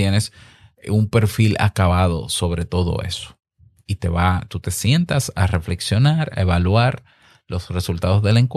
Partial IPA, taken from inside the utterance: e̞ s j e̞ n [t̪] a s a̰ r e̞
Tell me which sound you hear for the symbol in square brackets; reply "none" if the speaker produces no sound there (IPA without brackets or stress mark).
t̪